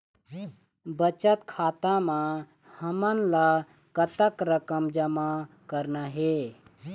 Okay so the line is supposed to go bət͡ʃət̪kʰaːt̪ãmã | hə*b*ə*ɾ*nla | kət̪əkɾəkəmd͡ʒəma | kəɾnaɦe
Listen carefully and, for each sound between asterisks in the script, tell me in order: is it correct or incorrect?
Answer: incorrect, incorrect

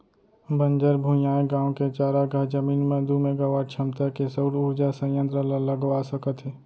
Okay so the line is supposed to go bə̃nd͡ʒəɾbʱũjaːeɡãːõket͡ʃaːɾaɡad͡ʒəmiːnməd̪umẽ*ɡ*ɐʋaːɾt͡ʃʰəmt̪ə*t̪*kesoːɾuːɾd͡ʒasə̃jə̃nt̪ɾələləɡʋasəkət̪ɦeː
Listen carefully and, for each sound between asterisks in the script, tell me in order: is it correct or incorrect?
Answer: correct, incorrect

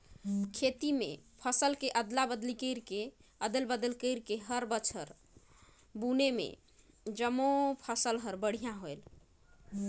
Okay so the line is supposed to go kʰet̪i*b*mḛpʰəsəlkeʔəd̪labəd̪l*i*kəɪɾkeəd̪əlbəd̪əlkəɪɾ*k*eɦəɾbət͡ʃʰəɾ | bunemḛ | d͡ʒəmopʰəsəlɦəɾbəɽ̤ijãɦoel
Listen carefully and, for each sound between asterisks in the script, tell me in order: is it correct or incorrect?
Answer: incorrect, correct, correct

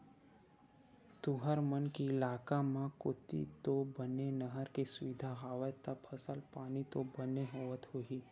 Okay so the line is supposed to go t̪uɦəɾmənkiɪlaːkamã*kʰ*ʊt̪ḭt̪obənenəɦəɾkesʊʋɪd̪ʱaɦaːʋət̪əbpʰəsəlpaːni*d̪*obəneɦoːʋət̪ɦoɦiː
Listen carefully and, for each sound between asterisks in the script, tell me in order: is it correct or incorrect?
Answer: incorrect, incorrect

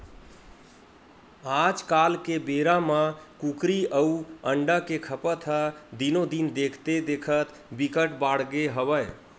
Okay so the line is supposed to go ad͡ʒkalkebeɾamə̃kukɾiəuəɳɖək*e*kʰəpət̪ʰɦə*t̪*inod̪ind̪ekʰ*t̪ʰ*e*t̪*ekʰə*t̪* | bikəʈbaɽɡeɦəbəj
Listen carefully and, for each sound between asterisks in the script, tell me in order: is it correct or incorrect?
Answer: correct, incorrect, incorrect, incorrect, correct

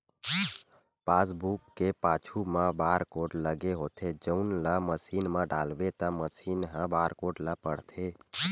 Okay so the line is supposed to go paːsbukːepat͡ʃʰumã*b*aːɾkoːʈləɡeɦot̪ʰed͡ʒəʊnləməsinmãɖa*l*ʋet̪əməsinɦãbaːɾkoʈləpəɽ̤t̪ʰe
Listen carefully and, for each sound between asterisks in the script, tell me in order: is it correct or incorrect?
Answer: correct, correct

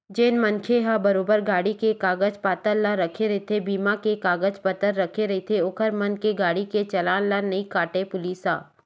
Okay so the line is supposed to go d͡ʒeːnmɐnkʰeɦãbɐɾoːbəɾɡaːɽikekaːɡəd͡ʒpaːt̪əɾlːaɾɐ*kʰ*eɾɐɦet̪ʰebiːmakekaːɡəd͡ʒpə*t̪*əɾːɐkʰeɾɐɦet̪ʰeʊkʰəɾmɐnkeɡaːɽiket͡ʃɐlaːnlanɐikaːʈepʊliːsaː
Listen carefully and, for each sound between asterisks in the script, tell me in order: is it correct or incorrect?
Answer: correct, correct

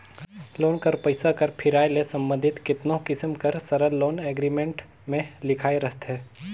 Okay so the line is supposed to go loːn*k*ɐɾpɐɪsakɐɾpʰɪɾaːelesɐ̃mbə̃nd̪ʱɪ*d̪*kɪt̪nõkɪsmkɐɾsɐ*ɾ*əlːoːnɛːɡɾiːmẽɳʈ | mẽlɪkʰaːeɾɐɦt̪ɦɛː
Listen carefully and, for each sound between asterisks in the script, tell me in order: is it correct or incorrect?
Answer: correct, incorrect, correct

